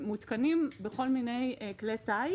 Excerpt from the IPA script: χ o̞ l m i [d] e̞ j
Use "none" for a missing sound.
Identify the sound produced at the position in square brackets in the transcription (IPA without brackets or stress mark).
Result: n